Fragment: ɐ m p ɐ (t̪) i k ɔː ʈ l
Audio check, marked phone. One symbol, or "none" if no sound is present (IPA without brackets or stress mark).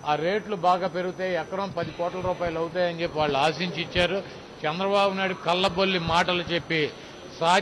d̪